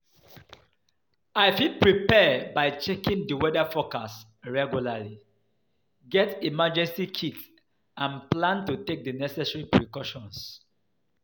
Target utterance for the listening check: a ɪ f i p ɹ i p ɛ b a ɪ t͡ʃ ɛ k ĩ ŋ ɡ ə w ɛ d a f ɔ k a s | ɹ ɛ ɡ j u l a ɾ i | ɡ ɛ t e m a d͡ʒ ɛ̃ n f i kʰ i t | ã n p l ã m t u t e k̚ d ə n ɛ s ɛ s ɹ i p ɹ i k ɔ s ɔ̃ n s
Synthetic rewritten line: a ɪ f i p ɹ i p ɛ b a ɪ t͡ʃ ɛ k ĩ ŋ d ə w ɛ d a f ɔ k a s | ɹ ɛ ɡ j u l a l i | ɡ ɛ t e m a d͡ʒ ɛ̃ n s i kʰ i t | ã n p l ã n t u t e k̚ d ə n ɛ s ɛ s ɹ i p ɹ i k ɔ ʃ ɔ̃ n s